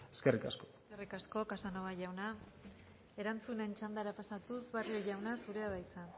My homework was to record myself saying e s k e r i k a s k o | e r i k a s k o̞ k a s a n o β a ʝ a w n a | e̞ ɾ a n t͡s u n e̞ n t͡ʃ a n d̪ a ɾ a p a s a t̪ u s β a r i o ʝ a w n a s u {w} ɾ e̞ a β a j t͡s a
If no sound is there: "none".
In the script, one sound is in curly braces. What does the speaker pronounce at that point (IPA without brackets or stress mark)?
none